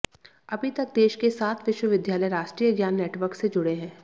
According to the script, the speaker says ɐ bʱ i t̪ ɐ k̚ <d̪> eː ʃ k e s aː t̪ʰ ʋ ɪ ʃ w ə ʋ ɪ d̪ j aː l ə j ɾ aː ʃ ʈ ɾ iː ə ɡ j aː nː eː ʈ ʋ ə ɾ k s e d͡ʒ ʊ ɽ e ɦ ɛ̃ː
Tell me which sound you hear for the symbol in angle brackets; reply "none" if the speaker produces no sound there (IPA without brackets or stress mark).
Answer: d̪